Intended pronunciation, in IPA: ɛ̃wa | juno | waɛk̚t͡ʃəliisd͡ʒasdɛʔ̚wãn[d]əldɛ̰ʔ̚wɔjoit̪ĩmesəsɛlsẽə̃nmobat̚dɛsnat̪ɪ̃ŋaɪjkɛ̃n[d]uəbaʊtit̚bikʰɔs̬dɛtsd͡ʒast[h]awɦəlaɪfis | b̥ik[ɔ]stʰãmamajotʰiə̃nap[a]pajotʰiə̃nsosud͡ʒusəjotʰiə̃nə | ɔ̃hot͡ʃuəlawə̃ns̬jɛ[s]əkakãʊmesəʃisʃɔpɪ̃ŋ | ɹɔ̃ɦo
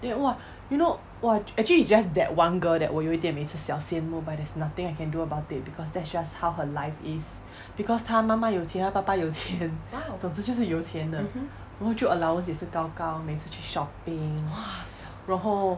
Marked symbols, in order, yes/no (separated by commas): no, yes, yes, yes, yes, yes